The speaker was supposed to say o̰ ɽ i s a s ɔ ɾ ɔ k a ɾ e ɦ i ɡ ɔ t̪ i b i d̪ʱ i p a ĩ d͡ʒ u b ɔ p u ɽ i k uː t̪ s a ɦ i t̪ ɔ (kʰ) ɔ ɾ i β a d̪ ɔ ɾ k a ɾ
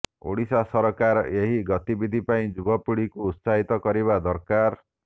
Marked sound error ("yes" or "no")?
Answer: yes